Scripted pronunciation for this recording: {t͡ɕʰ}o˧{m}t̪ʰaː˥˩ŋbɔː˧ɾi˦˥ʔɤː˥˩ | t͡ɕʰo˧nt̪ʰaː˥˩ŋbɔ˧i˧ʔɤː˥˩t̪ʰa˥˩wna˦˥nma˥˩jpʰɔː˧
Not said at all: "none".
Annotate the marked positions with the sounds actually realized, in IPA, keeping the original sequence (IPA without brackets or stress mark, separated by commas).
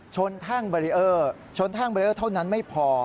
t͡ɕʰ, n